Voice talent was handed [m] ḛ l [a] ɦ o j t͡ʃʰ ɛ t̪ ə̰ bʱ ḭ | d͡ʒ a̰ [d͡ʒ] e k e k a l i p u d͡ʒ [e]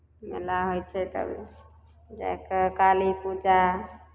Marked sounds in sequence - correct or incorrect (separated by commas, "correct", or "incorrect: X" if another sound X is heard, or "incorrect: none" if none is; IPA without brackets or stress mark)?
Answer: correct, correct, incorrect: none, incorrect: a